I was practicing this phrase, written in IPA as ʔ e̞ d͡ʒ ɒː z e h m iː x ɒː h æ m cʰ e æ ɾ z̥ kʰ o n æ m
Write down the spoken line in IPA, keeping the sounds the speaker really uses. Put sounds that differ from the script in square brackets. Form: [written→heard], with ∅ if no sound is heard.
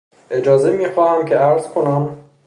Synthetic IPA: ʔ e̞ d͡ʒ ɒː z e [h→∅] m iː x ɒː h æ m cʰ e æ ɾ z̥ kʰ o n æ m